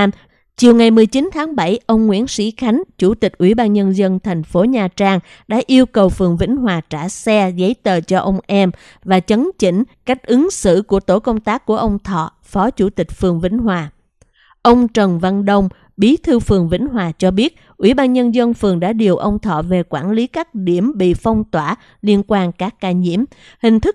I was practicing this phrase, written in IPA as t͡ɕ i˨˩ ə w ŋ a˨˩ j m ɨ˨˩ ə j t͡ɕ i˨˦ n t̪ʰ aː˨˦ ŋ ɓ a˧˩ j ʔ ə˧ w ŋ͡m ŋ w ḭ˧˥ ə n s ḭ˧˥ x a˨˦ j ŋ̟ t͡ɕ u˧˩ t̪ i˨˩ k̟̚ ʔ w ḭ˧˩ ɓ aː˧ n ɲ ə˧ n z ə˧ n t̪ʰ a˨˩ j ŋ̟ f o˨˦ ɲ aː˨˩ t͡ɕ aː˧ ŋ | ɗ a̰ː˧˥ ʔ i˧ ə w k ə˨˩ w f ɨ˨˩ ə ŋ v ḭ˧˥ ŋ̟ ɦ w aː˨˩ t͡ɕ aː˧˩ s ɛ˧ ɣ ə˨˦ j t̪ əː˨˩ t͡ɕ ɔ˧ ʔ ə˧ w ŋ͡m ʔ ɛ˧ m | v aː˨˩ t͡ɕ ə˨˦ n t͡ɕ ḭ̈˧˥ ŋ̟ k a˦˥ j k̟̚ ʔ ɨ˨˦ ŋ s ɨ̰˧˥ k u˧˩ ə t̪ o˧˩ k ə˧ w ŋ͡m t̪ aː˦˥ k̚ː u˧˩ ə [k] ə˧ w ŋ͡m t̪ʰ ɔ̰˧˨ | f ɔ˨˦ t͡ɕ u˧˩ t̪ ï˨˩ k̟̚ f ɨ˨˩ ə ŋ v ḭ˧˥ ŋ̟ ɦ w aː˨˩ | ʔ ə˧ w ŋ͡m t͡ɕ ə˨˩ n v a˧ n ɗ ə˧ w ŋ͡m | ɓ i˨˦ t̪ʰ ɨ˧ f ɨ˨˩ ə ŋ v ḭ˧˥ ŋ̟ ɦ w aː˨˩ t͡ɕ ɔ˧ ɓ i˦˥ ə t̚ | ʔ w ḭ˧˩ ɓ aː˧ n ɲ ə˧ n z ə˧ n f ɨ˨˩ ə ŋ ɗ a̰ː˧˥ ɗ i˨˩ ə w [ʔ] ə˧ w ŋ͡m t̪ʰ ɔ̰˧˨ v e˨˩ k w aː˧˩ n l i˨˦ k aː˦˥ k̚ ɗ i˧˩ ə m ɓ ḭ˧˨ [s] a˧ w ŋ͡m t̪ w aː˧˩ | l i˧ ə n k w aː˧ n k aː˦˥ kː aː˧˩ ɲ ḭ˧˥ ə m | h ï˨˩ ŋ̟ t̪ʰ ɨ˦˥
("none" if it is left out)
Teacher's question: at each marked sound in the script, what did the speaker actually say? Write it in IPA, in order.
ʔ, ʔ, f

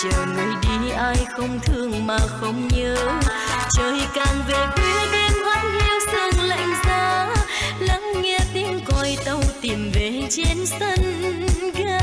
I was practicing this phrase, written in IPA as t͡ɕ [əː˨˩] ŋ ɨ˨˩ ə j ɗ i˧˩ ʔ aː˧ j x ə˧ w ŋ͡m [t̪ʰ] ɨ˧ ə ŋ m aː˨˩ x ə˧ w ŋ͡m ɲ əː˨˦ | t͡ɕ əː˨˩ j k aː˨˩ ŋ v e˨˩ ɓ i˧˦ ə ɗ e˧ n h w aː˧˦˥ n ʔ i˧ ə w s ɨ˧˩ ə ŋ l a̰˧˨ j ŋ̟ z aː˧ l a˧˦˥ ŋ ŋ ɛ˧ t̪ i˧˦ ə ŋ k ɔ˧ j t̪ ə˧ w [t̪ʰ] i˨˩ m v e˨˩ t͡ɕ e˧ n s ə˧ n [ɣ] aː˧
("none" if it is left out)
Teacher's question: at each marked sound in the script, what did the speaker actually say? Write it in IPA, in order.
əː˨˩, t̪ʰ, t̪, ɣ

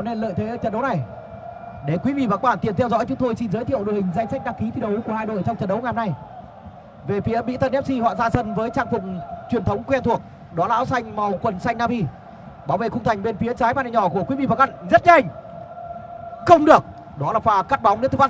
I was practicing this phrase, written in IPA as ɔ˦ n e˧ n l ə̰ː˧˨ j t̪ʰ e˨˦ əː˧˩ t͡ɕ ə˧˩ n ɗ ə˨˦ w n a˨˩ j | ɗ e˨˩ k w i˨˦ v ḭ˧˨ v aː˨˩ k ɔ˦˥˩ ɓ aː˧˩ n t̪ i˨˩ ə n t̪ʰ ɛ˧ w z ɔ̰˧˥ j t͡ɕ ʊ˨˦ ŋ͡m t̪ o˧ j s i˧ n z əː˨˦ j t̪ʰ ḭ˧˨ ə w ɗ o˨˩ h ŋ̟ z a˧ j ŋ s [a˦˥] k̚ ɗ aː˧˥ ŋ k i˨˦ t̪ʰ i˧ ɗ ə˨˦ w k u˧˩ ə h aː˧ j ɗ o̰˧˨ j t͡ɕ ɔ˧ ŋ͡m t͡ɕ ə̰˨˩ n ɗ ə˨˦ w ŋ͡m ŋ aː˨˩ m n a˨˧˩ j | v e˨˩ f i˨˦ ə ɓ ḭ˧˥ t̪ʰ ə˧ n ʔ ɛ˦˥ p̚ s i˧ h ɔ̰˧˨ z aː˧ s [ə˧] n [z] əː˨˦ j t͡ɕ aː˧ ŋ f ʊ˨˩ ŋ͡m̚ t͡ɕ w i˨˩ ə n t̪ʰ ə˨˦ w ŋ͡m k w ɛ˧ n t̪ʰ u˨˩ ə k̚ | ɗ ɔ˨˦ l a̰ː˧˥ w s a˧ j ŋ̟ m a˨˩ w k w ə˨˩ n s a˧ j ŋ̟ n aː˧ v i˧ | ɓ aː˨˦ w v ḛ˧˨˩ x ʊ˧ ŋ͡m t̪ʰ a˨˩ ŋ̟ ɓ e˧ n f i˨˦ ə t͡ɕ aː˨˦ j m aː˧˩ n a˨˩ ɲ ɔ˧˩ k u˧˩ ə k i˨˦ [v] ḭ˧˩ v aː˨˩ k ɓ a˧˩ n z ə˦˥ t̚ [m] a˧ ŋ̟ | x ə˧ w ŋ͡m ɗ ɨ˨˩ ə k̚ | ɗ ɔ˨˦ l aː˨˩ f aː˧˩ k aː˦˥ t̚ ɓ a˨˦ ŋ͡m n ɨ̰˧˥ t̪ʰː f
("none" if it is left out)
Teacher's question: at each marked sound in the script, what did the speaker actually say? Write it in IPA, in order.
a˦˥, ə˧, v, v, ɲ

